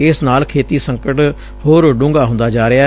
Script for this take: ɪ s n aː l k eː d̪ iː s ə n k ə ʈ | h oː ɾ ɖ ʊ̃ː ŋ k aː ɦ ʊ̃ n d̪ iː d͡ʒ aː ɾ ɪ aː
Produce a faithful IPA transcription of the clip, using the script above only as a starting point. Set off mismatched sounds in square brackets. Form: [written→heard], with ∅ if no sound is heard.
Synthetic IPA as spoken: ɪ s n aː l [k→kʰ] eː [d̪→t̪] iː s ə [n→ŋ] k ə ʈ | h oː ɾ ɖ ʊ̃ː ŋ [k→ɡ] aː ɦ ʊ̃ n d̪ [iː→aː] d͡ʒ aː ɾ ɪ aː